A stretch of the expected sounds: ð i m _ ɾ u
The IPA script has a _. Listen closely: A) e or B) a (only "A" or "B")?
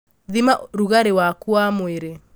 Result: B